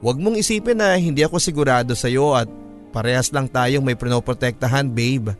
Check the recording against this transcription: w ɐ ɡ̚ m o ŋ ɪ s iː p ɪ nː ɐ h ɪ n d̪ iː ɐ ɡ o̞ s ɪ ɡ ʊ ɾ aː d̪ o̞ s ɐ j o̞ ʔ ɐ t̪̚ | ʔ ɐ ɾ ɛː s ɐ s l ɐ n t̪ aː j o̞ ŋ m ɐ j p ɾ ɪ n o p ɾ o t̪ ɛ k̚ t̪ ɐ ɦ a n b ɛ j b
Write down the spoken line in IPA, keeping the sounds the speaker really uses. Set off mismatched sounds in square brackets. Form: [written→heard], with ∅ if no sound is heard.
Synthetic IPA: w ɐ ɡ̚ m o ŋ ɪ s iː p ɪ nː ɐ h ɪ n d̪ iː ɐ [ɡ→k] o̞ s ɪ ɡ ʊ ɾ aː d̪ o̞ s ɐ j o̞ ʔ ɐ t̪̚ | [ʔ→p] ɐ ɾ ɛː [s→h] ɐ s l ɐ [n→ŋ] t̪ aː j o̞ ŋ m ɐ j p ɾ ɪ n o p ɾ o t̪ ɛ k̚ t̪ ɐ ɦ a n b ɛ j b